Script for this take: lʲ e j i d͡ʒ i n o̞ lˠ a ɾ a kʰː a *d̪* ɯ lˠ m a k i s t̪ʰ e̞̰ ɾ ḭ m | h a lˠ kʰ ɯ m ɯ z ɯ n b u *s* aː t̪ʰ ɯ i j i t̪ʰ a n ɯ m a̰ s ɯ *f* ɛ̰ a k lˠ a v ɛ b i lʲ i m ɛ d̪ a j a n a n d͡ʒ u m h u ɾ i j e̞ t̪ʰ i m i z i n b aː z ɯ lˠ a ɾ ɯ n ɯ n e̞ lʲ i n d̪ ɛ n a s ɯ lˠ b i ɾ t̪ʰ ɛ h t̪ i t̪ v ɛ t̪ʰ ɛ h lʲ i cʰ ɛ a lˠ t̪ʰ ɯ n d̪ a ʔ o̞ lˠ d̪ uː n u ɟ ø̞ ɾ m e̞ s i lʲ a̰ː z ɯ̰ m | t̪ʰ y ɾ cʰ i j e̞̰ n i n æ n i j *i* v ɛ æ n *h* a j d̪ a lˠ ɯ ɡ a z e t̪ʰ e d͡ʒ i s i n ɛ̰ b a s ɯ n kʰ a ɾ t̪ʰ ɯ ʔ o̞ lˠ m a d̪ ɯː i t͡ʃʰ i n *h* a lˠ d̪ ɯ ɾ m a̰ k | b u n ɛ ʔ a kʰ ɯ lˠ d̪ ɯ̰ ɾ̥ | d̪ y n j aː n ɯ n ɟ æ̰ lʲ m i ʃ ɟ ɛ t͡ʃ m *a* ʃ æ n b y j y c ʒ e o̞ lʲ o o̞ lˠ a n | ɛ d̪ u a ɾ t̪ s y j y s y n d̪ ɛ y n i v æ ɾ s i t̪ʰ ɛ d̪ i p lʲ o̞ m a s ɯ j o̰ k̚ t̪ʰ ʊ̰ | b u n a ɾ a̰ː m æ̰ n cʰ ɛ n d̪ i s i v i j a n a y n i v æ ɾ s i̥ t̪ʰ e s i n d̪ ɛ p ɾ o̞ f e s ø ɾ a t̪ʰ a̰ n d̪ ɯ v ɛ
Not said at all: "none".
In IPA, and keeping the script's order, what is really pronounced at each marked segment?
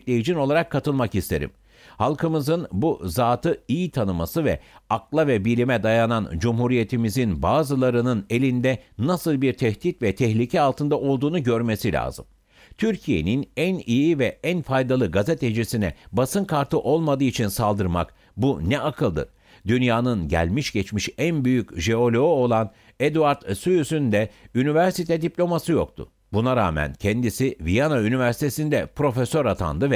t̪, z, v, i, f, s, i

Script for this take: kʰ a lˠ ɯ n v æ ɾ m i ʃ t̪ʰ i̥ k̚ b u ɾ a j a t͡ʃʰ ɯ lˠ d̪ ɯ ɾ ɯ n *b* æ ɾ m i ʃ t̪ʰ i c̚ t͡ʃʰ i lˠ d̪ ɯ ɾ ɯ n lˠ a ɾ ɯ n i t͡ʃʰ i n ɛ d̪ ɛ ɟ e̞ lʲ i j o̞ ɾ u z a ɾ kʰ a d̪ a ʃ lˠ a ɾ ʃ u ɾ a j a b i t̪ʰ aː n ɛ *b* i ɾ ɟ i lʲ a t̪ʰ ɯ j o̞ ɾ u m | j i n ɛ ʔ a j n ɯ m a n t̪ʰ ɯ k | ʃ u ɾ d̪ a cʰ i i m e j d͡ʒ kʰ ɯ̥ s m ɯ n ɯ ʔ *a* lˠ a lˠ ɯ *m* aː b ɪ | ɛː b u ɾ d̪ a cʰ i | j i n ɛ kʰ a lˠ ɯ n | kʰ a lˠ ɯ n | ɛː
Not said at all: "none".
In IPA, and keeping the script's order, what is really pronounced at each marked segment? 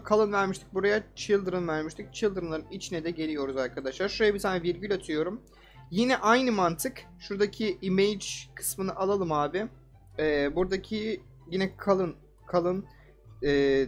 v, v, a, m

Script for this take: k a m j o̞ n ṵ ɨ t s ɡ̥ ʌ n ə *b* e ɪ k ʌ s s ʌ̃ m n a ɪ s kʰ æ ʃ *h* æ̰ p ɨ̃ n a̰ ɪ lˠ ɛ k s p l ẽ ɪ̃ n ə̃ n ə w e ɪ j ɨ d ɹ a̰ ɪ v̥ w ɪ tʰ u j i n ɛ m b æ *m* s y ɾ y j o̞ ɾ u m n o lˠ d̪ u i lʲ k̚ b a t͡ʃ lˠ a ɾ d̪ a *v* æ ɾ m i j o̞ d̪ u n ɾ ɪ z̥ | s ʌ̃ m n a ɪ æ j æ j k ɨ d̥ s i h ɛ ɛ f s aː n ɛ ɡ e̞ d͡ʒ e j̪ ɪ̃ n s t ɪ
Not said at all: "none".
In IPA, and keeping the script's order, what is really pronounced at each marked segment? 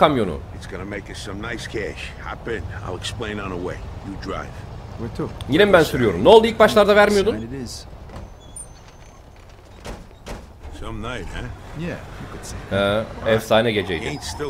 m, h, n, v

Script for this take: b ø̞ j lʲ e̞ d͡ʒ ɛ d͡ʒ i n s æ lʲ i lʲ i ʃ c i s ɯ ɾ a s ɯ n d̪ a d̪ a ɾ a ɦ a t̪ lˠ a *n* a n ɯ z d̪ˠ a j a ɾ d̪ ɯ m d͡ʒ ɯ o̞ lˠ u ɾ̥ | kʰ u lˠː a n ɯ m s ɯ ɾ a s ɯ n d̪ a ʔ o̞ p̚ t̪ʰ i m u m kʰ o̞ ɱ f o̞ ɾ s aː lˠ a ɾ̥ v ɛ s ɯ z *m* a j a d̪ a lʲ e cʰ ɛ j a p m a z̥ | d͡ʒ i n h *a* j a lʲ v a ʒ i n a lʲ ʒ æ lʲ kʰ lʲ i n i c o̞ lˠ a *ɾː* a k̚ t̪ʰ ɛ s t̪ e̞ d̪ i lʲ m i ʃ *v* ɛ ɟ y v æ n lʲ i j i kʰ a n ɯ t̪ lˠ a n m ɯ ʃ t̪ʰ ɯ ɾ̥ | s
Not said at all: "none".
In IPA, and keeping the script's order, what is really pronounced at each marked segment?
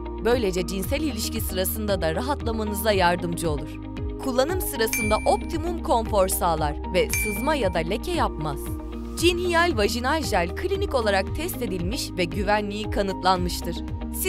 m, m, i, ɾ, v

